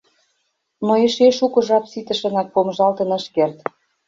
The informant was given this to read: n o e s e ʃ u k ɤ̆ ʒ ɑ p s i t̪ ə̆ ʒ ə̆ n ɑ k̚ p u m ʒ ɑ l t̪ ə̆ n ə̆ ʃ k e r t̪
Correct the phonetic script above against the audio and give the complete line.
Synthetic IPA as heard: n o e ʃ e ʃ u k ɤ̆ ʒ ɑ p s i t̪ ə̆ ʃ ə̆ n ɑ k̚ p o m ʒ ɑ l t̪ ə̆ n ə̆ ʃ k e r t̪